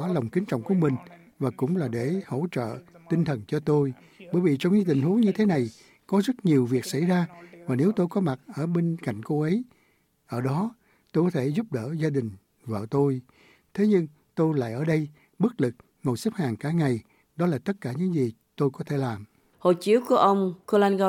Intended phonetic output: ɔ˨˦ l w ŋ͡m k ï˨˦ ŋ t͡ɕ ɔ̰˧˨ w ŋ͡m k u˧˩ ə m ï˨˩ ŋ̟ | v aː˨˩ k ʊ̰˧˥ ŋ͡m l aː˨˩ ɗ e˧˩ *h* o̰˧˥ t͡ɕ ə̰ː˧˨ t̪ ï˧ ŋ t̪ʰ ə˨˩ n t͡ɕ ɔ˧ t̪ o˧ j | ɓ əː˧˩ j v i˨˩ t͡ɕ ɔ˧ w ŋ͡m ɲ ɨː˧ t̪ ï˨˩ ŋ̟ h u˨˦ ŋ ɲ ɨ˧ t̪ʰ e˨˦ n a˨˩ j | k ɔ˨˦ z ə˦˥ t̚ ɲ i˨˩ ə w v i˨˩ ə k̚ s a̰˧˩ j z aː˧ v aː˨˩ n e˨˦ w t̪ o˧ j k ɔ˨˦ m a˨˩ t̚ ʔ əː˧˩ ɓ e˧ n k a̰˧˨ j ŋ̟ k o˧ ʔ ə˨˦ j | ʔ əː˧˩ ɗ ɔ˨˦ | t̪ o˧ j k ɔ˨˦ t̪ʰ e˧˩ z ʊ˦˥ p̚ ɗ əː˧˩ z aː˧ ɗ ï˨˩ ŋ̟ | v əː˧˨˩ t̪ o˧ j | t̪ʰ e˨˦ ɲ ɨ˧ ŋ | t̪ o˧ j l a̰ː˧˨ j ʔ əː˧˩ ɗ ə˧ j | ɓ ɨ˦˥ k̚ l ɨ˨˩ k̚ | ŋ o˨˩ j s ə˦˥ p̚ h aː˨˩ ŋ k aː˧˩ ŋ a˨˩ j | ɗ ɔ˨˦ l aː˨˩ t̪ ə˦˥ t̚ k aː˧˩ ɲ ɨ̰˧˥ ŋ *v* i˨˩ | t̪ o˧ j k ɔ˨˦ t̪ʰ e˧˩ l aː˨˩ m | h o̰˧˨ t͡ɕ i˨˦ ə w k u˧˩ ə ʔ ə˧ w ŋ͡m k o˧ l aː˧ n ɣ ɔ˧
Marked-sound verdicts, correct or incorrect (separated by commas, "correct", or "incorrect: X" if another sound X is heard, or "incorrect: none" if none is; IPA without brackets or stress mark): correct, incorrect: z